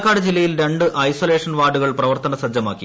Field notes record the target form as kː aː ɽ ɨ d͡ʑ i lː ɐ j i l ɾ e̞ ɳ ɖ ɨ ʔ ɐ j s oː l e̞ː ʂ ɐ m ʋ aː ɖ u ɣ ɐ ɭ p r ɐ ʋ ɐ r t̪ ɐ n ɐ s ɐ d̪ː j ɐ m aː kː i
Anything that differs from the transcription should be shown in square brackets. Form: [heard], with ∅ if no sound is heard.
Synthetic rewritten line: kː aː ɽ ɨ d͡ʑ i lː ɐ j i l ɾ e̞ ɳ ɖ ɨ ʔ ɐ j s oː l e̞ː ʂ ɐ [n] ʋ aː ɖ u ɣ ɐ ɭ p r ɐ ʋ ɐ r t̪ ɐ n ɐ s ɐ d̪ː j ɐ m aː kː i